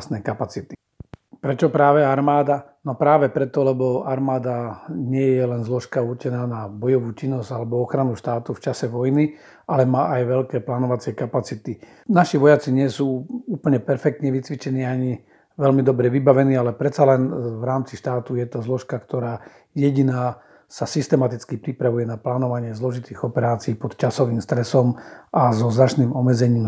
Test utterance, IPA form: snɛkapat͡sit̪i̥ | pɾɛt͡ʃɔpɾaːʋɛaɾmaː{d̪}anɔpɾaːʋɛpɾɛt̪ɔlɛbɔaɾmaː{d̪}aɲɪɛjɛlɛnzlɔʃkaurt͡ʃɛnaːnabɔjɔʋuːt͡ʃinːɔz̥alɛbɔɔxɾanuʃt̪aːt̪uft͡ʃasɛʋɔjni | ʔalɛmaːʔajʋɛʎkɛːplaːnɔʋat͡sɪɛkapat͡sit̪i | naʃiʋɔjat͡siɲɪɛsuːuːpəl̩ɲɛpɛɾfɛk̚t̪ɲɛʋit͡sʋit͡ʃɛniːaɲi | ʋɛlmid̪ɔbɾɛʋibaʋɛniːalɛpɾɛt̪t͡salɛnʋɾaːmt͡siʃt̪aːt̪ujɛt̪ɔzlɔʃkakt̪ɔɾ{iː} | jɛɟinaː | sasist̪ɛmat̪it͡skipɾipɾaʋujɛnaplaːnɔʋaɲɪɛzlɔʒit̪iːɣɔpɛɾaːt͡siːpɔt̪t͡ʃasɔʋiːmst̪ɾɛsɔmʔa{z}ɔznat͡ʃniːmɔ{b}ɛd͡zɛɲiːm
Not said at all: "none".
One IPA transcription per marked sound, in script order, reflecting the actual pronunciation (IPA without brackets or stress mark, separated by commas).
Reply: d̪, d̪, aː, z, m